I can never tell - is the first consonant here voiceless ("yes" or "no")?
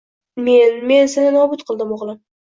no